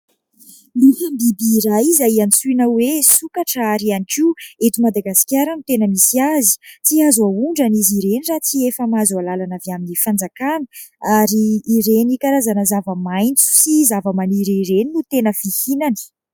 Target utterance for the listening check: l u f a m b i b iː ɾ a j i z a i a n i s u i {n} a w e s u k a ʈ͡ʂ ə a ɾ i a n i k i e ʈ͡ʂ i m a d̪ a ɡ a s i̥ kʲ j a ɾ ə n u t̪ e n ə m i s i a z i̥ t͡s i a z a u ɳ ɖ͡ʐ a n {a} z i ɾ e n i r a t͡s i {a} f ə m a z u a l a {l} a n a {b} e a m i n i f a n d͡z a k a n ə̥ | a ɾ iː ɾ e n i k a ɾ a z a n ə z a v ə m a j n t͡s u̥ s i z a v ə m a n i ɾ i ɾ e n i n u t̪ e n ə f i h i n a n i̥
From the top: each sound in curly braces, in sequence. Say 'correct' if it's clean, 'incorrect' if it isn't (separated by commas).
correct, incorrect, incorrect, correct, incorrect